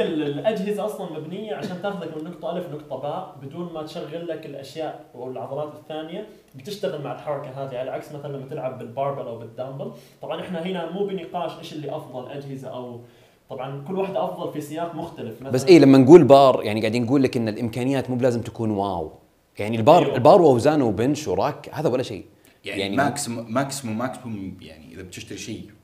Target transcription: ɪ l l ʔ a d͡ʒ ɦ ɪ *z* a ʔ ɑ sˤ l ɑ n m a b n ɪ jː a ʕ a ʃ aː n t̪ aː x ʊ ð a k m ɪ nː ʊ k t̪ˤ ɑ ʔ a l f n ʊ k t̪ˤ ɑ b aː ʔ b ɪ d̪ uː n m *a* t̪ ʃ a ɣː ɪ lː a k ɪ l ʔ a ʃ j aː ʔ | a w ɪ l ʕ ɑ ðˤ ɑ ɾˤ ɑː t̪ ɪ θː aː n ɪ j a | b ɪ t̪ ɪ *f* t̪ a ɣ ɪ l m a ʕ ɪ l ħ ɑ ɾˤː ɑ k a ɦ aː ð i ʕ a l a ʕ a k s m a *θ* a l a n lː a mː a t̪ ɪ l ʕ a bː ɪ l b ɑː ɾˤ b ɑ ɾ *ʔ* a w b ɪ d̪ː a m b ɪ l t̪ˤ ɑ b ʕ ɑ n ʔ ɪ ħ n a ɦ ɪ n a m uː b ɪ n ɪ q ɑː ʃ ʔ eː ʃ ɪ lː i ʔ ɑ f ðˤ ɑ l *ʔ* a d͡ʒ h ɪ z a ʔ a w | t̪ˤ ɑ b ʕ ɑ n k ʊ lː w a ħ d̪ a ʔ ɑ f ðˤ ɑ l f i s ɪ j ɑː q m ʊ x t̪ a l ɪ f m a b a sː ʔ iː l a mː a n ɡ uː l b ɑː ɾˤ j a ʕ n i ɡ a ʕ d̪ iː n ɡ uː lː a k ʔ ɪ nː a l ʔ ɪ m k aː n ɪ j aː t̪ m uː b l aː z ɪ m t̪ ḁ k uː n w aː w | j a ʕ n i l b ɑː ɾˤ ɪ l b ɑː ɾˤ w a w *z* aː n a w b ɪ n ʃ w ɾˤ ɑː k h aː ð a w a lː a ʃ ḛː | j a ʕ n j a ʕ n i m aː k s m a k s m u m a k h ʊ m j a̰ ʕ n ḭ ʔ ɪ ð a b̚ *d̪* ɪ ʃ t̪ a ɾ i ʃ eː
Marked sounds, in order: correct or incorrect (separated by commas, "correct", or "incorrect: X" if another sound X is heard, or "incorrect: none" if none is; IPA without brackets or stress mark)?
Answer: correct, correct, incorrect: ʃ, correct, correct, correct, correct, incorrect: t̪